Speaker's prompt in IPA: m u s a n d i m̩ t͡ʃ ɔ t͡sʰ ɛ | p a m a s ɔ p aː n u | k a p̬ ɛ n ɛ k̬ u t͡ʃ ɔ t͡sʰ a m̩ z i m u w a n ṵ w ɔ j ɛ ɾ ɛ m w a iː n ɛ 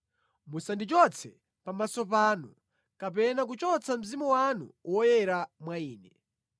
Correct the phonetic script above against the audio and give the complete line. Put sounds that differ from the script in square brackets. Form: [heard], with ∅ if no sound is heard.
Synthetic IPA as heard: m u s a n d i [∅] t͡ʃ ɔ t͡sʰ ɛ | p a m a s ɔ p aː n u | k a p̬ ɛ n [a] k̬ u t͡ʃ ɔ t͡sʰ a m̩ z i m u w a n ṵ w ɔ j ɛ ɾ [a] m w a iː n ɛ